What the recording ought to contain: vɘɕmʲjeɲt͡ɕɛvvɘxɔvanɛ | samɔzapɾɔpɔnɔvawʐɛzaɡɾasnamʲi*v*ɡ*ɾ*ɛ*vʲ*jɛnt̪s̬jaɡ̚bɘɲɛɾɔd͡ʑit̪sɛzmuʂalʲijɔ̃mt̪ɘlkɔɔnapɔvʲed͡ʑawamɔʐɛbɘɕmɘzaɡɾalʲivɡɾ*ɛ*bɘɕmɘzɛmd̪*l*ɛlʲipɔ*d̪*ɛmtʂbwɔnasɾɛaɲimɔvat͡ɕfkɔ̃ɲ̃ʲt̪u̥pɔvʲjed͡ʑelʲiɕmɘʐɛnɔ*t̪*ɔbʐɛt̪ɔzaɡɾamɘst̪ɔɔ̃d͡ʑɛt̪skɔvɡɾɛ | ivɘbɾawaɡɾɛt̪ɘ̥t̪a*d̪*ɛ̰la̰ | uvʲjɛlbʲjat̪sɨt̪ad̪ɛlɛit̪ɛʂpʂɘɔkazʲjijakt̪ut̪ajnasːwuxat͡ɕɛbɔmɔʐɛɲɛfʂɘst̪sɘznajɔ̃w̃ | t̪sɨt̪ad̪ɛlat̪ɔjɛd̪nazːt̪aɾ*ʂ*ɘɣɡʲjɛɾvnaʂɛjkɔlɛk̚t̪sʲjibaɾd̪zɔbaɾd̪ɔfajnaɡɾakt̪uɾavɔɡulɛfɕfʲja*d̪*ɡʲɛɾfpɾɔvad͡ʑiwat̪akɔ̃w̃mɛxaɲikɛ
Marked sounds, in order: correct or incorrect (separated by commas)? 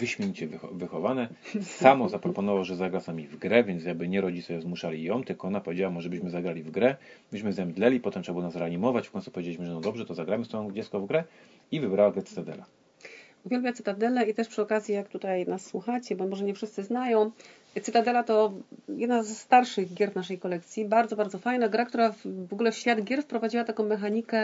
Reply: correct, correct, correct, correct, correct, incorrect, incorrect, correct, correct, correct